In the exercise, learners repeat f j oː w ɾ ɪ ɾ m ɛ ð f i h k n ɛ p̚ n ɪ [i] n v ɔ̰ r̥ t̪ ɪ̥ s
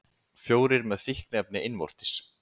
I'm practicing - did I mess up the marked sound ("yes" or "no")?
yes